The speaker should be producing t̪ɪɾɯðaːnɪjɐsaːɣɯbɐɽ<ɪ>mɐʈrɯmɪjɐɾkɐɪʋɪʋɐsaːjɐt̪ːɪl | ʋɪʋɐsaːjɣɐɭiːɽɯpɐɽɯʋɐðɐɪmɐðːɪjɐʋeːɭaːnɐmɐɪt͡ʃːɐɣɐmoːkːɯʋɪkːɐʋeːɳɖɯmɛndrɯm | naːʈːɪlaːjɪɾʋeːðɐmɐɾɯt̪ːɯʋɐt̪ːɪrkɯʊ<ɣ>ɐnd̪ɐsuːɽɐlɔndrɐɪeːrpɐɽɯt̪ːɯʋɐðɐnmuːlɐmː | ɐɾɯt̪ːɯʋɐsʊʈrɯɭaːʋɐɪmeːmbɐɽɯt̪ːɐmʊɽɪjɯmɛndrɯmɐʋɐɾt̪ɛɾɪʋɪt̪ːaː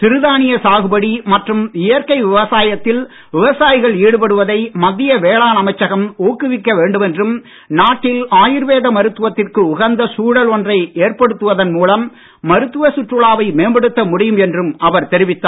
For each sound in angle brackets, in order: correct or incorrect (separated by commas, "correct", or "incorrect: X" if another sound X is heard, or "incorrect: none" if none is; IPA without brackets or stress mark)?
incorrect: i, correct